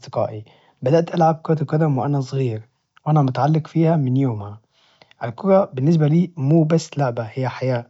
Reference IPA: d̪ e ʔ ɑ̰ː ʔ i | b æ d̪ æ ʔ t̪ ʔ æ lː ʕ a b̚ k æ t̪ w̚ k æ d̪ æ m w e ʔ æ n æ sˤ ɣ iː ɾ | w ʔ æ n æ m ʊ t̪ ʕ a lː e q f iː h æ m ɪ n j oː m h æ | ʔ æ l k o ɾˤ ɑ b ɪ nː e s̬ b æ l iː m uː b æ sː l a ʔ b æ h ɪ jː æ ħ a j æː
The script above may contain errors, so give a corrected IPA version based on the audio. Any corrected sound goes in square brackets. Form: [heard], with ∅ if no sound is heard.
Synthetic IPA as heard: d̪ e [q] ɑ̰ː ʔ i | b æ d̪ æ ʔ t̪ ʔ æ [l] ʕ a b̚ k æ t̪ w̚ k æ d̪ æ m w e ʔ æ n æ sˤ ɣ iː ɾ | w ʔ æ n æ m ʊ t̪ ʕ a lː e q f iː h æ m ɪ n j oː m h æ | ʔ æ l k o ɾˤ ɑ b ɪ nː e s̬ b æ l iː m uː b æ sː l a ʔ b æ h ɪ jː æ ħ a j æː